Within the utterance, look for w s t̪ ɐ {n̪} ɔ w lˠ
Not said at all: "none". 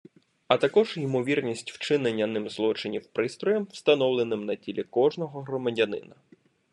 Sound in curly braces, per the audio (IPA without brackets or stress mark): n̪